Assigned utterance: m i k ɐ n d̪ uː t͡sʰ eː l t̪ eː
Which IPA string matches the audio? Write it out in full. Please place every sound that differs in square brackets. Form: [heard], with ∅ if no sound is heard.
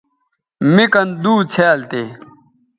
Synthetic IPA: m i k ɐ n d̪ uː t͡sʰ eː l t̪ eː